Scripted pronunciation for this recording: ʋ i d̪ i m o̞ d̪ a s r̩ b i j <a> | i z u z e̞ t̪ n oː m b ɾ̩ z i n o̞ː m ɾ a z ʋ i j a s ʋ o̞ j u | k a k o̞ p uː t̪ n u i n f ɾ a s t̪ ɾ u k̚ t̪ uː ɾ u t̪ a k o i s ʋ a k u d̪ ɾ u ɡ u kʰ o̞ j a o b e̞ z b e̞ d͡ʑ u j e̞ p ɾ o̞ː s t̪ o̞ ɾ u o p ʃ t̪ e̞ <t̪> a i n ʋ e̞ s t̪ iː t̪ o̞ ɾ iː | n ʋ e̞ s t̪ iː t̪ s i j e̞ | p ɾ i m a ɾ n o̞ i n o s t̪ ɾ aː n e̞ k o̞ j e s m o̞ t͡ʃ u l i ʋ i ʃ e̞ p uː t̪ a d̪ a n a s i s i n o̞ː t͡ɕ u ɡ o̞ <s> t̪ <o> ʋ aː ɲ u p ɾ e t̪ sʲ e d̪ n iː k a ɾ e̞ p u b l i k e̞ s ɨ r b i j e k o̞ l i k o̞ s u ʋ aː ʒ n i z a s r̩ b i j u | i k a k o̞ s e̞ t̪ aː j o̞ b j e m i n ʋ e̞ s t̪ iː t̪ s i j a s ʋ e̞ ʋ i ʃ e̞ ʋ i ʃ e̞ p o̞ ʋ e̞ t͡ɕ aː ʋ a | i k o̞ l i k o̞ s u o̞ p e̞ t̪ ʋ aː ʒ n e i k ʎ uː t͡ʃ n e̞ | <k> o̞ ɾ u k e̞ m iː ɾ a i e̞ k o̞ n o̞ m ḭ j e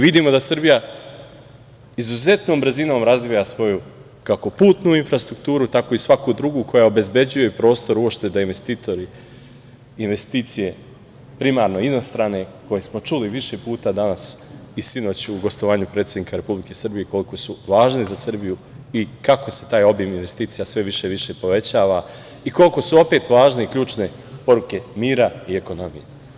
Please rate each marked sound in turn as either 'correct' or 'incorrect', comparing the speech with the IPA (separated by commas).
correct, incorrect, correct, correct, incorrect